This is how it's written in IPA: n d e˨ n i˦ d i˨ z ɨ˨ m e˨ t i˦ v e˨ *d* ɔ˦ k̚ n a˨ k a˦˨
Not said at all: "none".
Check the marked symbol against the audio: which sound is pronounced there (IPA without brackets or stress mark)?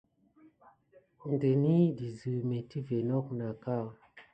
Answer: n